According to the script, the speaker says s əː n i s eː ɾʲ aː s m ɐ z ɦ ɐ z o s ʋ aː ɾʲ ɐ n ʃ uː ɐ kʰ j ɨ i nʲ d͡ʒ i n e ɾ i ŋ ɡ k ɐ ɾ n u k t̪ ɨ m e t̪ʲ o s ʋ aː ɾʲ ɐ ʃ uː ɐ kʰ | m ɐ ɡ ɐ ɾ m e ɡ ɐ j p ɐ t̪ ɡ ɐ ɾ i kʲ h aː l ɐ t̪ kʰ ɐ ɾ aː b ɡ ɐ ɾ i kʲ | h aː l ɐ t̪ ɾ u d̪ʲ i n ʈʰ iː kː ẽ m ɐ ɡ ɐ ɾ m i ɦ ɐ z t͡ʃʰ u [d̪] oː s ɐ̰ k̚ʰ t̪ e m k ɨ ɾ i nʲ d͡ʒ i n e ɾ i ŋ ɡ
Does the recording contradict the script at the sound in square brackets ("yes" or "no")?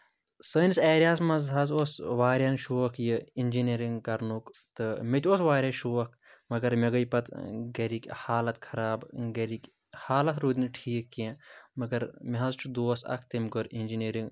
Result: no